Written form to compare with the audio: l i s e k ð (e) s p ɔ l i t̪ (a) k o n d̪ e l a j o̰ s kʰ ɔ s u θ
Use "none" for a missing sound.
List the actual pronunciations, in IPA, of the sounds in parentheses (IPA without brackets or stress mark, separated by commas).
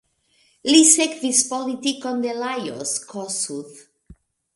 i, i